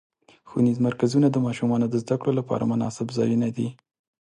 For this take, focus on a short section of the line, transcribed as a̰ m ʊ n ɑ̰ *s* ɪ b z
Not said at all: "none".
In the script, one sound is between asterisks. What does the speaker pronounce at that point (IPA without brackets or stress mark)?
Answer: s